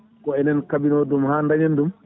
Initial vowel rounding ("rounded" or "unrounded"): rounded